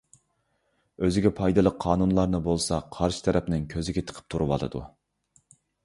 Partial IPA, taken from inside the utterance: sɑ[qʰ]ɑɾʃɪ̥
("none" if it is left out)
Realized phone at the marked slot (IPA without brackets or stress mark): qʰ